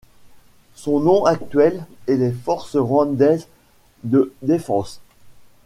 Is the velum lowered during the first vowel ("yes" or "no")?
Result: yes